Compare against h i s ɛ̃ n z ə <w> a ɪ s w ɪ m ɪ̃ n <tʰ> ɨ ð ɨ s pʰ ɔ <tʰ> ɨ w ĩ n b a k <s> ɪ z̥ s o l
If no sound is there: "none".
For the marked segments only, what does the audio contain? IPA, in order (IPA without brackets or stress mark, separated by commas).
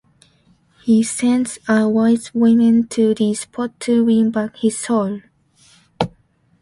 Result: w, tʰ, tʰ, h